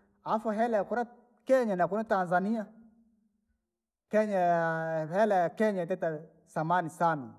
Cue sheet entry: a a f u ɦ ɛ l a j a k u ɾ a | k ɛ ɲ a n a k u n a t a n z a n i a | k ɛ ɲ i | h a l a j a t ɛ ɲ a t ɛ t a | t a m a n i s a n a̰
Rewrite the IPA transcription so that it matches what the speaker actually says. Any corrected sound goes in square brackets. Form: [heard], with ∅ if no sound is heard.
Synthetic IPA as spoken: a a f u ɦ ɛ l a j a k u ɾ a | k ɛ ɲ a n a k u n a t a n z a n i a | k ɛ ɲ [a] | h [ɛ] l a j a [k] ɛ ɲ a t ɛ t a | [s] a m a n i s a n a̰